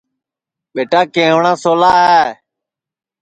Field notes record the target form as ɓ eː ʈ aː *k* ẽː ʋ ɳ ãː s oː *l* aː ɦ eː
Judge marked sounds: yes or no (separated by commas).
yes, yes